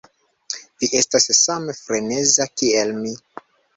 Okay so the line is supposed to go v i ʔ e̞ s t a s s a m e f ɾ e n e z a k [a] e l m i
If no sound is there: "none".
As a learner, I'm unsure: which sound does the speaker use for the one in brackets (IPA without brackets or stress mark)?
i